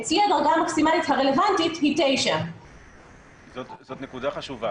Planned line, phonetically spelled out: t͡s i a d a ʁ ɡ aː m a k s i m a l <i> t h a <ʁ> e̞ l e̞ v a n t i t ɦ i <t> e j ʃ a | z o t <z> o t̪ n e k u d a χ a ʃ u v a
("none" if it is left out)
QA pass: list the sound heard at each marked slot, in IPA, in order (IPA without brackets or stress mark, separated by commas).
i, ʁ, t, z